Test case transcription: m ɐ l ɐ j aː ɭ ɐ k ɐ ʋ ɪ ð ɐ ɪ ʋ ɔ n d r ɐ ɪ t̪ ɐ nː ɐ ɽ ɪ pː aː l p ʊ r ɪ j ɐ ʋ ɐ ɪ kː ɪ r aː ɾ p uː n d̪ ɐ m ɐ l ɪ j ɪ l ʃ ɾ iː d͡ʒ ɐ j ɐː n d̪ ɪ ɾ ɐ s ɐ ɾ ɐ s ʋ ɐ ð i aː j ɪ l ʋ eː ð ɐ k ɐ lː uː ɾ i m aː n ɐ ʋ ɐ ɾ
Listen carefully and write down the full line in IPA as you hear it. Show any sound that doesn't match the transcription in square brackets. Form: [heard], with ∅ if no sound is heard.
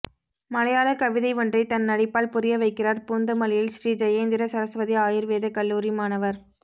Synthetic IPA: m ɐ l ɐ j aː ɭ ɐ k ɐ ʋ ɪ ð ɐ ɪ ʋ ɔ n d r ɐ ɪ t̪ ɐ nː ɐ ɽ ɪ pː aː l p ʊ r ɪ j ɐ ʋ ɐ ɪ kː ɪ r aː ɾ p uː n d̪ ɐ m ɐ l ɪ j ɪ l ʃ ɾ iː d͡ʒ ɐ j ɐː n d̪ ɪ ɾ ɐ s ɐ ɾ ɐ s ʋ ɐ ð i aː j ɪ [ɾ] ʋ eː ð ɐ k ɐ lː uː ɾ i m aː n ɐ ʋ ɐ ɾ